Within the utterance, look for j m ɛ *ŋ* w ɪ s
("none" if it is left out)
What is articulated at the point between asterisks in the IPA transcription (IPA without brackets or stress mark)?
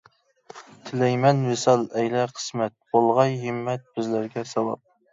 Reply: n